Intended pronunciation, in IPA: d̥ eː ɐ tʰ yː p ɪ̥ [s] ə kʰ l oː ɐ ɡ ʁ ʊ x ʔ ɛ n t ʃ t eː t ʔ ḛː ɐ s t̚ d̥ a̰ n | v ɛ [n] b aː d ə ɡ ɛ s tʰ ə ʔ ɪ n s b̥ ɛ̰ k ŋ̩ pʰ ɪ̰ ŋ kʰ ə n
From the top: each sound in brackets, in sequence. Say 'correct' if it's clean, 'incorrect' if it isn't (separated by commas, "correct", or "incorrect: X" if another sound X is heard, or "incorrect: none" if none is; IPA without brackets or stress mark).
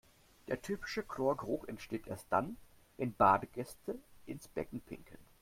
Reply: incorrect: ʃ, correct